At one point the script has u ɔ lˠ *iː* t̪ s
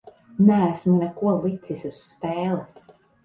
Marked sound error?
yes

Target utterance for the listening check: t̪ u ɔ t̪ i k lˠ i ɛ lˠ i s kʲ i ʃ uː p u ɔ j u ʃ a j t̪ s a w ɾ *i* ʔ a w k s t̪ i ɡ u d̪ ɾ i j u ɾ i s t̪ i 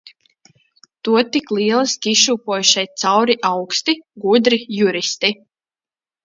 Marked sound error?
no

